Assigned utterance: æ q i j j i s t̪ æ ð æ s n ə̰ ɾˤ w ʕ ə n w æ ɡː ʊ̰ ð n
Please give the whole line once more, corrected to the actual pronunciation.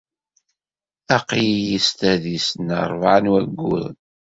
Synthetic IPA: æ q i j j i s t̪ æ ð i s n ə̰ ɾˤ v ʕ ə n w æ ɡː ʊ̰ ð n

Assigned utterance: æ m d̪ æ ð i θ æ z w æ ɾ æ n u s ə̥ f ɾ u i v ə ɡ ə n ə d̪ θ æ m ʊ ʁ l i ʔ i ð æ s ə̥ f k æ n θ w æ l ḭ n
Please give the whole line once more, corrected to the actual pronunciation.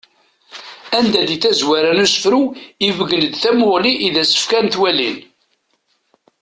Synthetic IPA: æ n d̪ æ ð i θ æ z w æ ɾ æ n u s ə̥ f ɾ u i v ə ɡ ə n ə d̪ θ æ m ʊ ʁ l i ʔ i ð æ s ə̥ f k æ n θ w æ l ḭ n

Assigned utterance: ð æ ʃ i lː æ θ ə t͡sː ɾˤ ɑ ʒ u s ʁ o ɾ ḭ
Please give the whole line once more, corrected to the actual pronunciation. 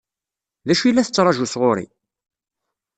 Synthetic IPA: ð æ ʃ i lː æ θ ə t͡sː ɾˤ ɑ ʒ u s ʁ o ɾ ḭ

